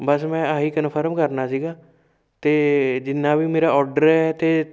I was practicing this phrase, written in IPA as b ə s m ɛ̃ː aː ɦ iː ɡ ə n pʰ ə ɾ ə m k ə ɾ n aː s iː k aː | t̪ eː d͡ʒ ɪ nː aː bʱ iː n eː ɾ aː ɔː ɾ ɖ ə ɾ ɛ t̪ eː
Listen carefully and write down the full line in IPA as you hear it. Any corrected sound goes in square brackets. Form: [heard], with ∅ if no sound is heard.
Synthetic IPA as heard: b ə s m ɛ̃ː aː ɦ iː [k] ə n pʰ ə ɾ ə m k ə ɾ n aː s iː [ɡ] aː | t̪ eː d͡ʒ ɪ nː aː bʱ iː [m] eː ɾ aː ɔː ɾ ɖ ə ɾ ɛ t̪ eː